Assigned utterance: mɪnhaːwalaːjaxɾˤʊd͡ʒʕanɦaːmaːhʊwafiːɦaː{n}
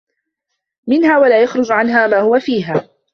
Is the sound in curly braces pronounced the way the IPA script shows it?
no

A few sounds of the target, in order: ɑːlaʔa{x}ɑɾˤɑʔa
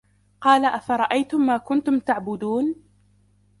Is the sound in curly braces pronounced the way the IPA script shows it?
no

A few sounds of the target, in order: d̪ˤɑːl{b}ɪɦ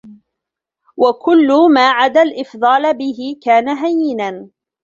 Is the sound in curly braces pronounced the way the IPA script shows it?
yes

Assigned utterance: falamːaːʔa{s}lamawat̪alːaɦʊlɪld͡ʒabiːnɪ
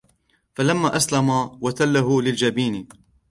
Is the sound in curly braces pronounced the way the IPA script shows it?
yes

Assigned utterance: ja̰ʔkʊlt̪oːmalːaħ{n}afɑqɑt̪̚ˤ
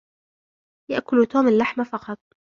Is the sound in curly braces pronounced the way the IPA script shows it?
no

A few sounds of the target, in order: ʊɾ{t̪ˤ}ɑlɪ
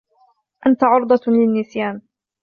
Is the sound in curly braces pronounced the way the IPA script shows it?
no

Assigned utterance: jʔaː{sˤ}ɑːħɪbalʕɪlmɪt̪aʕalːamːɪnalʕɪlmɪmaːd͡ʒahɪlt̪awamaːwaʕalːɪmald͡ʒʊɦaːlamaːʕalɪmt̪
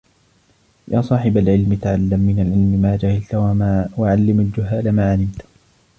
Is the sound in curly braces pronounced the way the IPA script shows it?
yes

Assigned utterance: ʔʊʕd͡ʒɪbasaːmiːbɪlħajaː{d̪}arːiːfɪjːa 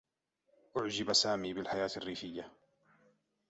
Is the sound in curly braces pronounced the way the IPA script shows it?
no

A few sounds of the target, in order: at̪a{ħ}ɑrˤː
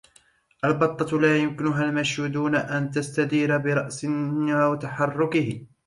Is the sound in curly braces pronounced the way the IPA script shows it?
yes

